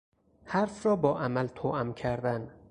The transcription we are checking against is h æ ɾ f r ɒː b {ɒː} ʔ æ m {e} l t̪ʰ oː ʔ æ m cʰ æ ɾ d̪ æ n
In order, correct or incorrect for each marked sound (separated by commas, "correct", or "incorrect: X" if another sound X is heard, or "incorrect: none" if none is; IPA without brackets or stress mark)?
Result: correct, incorrect: æ